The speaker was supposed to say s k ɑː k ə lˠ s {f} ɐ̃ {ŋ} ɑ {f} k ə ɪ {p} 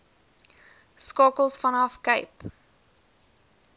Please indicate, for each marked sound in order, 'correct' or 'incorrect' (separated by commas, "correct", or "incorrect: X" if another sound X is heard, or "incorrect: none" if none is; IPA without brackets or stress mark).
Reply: correct, incorrect: n, correct, correct